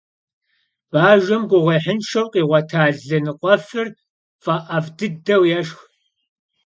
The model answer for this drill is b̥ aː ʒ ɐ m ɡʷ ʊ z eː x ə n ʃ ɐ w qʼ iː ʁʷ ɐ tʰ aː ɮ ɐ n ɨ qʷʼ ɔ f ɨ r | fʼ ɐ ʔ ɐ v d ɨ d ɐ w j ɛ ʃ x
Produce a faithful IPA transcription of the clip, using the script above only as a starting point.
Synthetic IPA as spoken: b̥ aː ʒ ɐ m ɡʷ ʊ ʁ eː ħ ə n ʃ ɐ w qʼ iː ʁʷ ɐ tʰ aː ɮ ɐ n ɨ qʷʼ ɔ f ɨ r | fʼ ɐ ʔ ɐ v d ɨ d ɐ w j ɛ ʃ x